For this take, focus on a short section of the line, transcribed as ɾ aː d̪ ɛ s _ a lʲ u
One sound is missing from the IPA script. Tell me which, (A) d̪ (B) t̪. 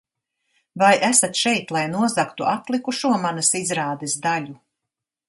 A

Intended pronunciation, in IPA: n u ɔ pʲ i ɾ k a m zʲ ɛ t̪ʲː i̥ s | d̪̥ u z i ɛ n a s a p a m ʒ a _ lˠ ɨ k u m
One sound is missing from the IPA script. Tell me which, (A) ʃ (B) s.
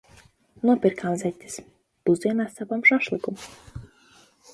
A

